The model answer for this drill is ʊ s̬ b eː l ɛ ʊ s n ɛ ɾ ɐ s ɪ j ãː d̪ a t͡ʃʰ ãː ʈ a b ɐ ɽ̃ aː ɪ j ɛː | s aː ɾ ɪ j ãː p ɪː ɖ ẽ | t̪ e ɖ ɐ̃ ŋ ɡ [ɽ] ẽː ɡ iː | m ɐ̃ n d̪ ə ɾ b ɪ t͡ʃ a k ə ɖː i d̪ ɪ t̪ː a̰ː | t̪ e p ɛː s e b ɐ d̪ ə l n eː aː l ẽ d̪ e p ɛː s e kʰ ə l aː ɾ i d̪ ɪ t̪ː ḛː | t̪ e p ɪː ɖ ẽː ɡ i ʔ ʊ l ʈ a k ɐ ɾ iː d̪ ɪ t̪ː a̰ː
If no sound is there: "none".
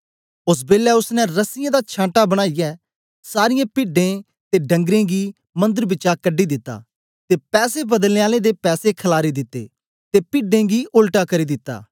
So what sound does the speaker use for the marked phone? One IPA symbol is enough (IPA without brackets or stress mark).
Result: ɾ